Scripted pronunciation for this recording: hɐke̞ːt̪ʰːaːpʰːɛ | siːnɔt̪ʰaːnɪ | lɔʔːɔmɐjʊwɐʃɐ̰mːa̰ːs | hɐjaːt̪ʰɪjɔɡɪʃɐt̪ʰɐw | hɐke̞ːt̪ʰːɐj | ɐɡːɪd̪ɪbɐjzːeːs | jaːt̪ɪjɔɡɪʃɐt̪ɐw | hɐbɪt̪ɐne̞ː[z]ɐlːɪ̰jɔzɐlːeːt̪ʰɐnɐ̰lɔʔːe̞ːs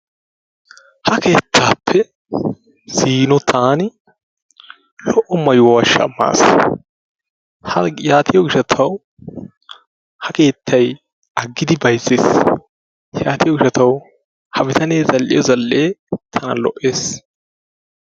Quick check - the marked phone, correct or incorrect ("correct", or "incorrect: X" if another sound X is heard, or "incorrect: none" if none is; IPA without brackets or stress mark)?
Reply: correct